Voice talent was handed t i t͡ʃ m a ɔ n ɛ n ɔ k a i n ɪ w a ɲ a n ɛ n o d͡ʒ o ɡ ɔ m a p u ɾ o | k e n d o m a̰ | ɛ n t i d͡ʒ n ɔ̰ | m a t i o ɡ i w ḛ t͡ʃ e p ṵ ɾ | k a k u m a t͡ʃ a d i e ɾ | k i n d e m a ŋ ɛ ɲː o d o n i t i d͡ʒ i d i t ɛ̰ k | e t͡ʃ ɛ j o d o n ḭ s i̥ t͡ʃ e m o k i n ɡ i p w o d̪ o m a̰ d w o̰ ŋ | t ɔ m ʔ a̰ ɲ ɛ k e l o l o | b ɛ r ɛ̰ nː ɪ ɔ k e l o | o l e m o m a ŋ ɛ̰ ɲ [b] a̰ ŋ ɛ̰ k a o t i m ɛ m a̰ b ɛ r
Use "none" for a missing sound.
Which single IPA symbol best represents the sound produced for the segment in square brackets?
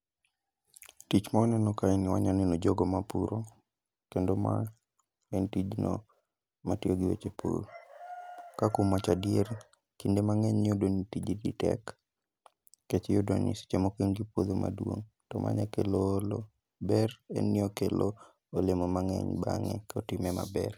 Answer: b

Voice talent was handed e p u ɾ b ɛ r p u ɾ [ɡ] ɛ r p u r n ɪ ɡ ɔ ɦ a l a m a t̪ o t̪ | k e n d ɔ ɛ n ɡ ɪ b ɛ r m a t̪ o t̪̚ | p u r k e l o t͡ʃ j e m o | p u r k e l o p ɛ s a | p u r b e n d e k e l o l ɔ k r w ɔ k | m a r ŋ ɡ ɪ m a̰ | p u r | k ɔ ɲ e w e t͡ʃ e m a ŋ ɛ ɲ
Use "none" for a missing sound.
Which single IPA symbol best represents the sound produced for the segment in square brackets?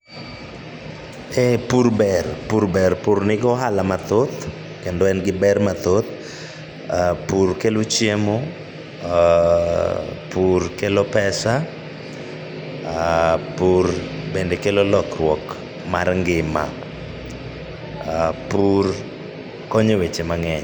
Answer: b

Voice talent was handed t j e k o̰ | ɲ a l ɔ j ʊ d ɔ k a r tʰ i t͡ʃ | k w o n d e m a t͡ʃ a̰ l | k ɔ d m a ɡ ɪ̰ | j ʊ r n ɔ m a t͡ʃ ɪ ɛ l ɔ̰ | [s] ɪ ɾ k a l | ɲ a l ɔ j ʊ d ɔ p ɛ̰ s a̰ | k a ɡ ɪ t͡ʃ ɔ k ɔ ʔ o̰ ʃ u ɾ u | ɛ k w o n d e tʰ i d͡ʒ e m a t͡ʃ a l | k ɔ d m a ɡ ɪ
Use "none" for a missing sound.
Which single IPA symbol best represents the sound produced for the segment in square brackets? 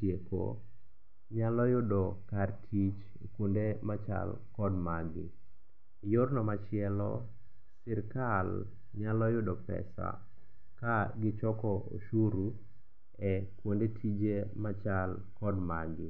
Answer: s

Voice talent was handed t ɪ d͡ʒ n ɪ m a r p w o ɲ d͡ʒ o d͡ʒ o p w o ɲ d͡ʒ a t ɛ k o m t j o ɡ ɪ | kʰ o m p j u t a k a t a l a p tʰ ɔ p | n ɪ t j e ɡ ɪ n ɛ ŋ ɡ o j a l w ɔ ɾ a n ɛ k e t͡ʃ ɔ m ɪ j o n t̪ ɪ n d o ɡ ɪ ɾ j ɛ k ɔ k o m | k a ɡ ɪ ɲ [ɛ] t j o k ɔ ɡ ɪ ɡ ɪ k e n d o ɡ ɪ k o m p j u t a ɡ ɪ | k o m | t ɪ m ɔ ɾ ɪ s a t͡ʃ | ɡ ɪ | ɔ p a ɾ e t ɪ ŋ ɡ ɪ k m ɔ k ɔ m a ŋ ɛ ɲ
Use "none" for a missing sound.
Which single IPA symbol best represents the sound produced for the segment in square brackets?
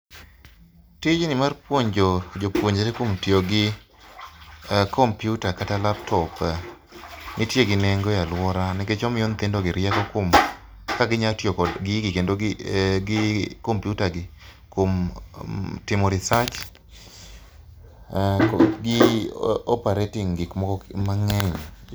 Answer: a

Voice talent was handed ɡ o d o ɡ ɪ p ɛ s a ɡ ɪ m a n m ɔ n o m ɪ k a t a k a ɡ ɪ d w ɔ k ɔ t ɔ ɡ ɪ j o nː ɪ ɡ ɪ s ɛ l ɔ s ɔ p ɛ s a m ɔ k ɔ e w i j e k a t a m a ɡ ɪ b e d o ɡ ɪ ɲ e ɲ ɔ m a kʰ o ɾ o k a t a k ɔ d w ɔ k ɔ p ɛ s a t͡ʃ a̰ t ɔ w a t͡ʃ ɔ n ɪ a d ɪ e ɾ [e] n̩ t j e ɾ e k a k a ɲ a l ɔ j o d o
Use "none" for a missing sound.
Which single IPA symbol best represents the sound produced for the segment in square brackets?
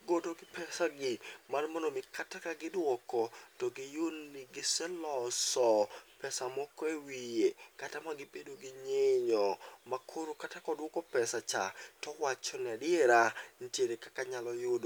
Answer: a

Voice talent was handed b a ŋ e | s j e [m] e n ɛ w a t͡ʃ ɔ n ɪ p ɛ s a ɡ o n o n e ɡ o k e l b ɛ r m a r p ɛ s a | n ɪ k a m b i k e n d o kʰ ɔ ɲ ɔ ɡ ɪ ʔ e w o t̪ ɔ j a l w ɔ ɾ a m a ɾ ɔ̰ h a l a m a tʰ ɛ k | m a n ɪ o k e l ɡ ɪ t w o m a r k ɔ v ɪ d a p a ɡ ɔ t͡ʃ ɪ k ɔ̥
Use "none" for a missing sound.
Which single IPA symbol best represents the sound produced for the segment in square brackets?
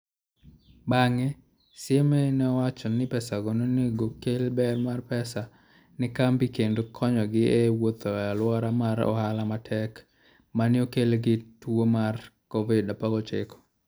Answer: m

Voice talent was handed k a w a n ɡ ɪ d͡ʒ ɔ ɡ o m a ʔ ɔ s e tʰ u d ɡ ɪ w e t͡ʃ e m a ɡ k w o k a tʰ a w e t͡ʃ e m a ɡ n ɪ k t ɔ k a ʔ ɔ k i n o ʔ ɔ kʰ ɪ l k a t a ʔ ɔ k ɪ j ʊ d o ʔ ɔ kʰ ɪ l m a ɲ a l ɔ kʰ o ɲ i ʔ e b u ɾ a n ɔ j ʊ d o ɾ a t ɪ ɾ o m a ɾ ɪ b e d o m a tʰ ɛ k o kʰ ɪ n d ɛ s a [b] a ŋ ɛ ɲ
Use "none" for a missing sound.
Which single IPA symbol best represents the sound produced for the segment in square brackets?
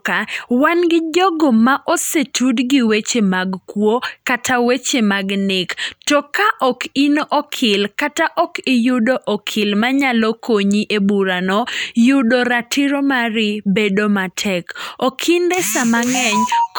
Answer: m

